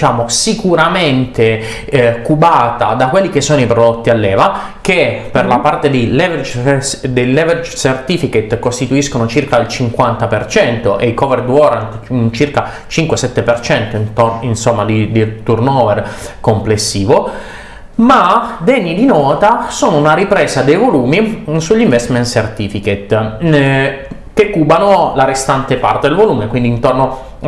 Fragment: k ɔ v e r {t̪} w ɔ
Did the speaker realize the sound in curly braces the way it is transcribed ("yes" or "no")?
no